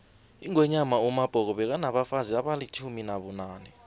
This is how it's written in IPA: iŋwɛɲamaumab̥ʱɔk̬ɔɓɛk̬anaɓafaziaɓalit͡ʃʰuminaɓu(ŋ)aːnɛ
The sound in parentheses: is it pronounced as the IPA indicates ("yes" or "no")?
no